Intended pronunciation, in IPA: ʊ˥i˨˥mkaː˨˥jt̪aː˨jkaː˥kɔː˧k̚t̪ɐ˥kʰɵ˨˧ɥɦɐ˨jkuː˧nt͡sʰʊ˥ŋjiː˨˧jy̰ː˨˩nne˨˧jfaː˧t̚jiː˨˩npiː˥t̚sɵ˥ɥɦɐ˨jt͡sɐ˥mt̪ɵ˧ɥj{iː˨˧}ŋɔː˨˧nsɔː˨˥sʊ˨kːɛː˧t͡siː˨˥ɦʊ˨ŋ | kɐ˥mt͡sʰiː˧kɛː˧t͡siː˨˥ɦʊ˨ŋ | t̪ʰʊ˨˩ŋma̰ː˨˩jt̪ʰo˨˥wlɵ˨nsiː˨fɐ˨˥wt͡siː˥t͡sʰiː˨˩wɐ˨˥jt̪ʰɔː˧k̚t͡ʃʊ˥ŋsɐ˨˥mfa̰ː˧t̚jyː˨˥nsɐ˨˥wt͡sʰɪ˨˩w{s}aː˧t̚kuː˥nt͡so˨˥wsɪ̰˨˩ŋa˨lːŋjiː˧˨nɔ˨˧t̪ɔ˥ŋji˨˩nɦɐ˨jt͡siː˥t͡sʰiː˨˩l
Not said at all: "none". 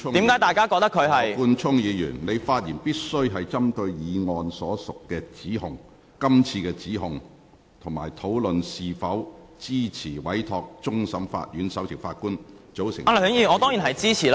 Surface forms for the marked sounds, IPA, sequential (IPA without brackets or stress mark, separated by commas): iː˨˧, f